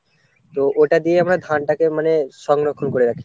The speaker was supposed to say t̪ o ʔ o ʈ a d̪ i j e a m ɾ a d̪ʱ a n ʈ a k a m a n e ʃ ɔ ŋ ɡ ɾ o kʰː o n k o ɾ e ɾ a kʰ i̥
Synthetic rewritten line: t̪ o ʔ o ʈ a d̪ i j e a m ɾ a d̪ʱ a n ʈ a k e m a n e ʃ ɔ ŋ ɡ ɾ o kʰː o n k o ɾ e ɾ a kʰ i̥